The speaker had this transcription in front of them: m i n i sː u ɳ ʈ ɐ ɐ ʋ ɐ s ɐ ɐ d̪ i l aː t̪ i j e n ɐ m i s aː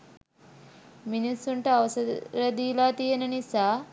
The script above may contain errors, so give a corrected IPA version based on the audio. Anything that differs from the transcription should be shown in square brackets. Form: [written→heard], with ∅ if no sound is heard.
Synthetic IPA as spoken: m i n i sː u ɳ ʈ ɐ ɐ ʋ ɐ s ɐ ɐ d̪ i l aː t̪ i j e n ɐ [m→n] i s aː